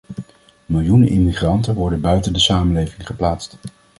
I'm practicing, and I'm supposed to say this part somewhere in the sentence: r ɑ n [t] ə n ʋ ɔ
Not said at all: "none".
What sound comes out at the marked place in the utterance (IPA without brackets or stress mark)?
t